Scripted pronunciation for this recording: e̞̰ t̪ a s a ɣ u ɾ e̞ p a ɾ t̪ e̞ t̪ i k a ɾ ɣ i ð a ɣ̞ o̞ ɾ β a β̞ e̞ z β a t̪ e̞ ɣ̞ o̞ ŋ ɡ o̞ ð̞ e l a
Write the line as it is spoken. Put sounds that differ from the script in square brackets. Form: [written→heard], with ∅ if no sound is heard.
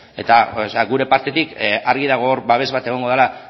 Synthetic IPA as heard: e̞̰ t̪ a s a ɣ u ɾ e̞ p a ɾ t̪ e̞ t̪ i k a ɾ ɣ i ð a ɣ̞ o̞ ɾ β a β̞ e̞ z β a t̪ e̞ ɣ̞ o̞ ŋ ɡ o̞ ð̞ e l a